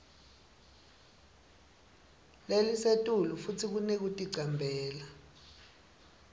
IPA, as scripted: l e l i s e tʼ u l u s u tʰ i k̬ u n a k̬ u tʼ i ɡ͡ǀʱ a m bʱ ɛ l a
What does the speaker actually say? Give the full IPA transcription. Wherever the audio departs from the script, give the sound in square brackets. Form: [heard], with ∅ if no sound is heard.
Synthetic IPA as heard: l e l i s e tʼ u l u [f] u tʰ i k̬ u n [e] k̬ u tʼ i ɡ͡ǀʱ a m bʱ [ɛː] l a